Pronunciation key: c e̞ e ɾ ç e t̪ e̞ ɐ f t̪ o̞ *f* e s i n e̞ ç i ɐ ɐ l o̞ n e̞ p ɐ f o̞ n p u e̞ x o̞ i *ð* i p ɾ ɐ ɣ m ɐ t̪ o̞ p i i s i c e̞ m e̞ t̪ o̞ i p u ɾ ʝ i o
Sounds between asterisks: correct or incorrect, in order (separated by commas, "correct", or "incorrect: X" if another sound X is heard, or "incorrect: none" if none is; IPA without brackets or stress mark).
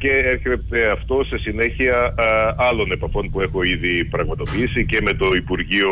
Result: incorrect: s, correct